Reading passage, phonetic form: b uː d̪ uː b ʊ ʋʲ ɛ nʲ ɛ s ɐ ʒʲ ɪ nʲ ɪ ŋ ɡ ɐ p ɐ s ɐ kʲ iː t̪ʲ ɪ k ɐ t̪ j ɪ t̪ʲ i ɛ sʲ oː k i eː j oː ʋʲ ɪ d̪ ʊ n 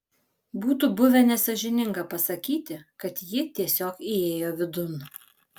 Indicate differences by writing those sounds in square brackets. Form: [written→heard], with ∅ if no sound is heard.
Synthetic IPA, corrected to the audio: b uː [d̪→t̪] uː b ʊ ʋʲ ɛ nʲ ɛ s ɐ ʒʲ ɪ nʲ ɪ ŋ ɡ ɐ p ɐ s ɐ kʲ iː t̪ʲ ɪ k ɐ t̪ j ɪ t̪ʲ i ɛ sʲ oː k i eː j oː ʋʲ ɪ d̪ ʊ n